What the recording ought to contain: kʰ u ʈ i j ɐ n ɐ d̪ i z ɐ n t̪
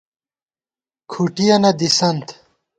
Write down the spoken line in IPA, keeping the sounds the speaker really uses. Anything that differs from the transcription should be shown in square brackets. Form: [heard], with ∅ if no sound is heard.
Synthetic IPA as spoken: kʰ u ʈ i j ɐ n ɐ d̪ i [s] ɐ n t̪